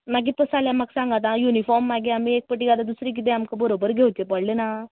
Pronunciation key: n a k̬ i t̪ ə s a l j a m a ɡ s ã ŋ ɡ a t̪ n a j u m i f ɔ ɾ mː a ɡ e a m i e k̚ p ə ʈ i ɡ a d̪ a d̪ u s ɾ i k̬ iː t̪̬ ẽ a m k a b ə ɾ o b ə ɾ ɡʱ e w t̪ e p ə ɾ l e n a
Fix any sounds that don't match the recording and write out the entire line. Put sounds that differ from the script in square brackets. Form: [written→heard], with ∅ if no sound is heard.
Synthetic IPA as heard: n a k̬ i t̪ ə s a l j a m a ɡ s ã ŋ ɡ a t̪ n a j u [m→n] i f ɔ ɾ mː a ɡ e a m i e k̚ p ə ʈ i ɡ a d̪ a d̪ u s ɾ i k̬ [iː→i] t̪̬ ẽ a m k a b ə ɾ o b ə ɾ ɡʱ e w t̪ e p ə [ɾ→ɽ] l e n a